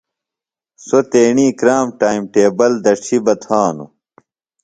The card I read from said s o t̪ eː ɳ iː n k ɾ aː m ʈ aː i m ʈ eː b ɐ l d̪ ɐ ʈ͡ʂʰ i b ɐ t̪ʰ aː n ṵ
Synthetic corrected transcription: s o t̪ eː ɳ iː k ɾ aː m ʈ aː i m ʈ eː b ɐ l d̪ ɐ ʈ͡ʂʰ i b ɐ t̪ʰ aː n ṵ